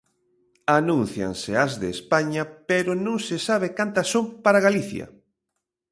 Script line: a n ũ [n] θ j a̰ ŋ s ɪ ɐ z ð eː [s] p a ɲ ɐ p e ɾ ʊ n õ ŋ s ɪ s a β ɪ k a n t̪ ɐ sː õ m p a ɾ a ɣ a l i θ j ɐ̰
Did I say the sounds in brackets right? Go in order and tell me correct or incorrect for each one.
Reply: correct, correct

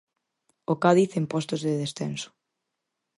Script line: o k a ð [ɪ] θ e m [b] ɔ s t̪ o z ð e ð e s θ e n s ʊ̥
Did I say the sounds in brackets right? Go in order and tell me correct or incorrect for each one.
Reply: incorrect: i, incorrect: p

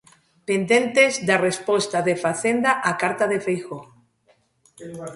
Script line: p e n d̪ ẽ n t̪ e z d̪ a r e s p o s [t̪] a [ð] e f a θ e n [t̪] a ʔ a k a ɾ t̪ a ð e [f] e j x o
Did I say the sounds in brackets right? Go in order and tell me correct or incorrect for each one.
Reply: correct, correct, incorrect: d̪, correct

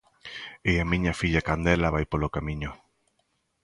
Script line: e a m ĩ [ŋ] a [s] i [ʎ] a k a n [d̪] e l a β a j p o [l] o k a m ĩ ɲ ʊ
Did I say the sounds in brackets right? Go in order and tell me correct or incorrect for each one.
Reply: incorrect: ɲ, incorrect: f, correct, correct, correct

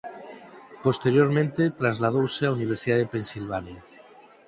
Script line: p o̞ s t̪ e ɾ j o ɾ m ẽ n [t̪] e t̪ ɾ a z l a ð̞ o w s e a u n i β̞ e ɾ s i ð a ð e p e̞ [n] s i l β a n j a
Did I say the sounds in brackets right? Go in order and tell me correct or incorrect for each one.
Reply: correct, correct

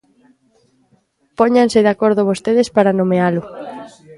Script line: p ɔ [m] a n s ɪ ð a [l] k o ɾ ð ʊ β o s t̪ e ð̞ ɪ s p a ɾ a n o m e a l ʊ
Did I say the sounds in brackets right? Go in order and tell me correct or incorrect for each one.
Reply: incorrect: ɲ, incorrect: none

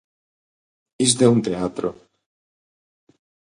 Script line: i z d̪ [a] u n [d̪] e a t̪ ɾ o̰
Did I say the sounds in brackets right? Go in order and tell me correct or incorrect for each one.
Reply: incorrect: e, incorrect: t̪

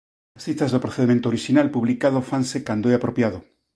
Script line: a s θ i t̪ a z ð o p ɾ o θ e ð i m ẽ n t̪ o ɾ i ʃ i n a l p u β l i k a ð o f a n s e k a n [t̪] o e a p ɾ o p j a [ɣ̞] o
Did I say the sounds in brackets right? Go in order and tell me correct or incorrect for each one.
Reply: incorrect: d̪, incorrect: ð̞

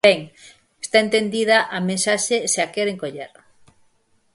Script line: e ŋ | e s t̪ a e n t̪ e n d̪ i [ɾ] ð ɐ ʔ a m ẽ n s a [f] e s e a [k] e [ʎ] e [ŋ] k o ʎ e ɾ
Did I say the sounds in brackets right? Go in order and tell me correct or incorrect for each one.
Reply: incorrect: none, incorrect: ʃ, correct, incorrect: ɾ, correct

